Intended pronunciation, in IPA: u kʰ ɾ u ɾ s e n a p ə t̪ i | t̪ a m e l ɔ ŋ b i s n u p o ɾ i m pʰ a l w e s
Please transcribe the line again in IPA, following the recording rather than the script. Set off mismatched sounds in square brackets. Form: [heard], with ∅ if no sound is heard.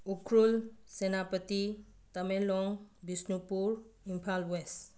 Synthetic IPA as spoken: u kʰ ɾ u [l] s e n a p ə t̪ i | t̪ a m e l ɔ ŋ b i s n u p [u] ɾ i m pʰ a l w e s